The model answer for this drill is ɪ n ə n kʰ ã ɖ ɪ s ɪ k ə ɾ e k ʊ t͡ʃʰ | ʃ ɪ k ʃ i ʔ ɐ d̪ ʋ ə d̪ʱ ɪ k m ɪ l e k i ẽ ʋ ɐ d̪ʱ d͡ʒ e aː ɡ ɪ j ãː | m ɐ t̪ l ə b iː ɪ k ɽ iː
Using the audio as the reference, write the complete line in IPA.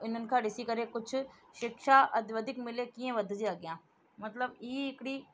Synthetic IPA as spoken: ɪ n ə n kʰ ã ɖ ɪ s i k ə ɾ e k ʊ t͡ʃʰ | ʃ ɪ k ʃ a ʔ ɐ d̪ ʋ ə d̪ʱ ɪ k m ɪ l e k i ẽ ʋ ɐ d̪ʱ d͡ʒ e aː ɡ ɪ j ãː | m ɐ t̪ l ə b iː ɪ k ɽ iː